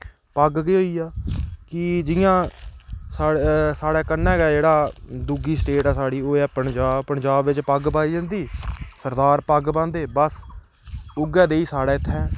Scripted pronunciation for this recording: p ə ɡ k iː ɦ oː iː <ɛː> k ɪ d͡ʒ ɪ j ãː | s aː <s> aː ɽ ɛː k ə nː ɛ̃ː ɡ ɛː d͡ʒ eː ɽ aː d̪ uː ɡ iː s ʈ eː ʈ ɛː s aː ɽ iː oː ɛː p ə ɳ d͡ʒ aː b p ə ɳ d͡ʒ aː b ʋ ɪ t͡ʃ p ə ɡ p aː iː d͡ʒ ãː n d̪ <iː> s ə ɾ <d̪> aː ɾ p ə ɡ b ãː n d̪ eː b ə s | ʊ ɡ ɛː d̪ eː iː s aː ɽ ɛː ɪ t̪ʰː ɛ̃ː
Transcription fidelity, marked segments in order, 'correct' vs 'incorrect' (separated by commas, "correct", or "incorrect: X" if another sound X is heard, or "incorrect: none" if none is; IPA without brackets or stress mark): incorrect: aː, correct, correct, correct